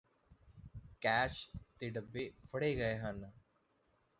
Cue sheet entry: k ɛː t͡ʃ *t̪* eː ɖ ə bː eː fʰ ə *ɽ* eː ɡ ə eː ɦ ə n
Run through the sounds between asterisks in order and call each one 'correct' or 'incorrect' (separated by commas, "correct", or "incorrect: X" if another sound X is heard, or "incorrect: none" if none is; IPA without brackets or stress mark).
correct, correct